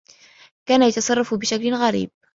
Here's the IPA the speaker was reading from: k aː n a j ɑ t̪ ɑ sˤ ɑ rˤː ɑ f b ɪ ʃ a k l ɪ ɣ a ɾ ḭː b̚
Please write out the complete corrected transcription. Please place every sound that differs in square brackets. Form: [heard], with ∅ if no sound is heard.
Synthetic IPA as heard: k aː n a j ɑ t̪ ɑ sˤ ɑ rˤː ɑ f b ɪ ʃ a k l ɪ ɣ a ɾ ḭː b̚